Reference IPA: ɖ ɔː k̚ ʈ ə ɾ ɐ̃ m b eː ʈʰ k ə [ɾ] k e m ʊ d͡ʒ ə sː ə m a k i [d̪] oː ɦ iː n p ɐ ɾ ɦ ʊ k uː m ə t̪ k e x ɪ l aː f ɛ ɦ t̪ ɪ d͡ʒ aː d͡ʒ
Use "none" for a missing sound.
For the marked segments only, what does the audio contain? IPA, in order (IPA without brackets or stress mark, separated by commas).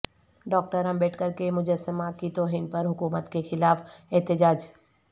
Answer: ɾ, t̪